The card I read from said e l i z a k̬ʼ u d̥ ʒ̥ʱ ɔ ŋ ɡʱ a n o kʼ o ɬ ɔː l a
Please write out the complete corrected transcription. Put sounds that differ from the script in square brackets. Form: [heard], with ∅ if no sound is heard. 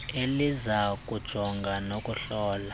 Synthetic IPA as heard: e l i z a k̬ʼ u d̥ ʒ̥ʱ ɔ ŋ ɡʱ a n o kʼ [u] ɬ ɔː l a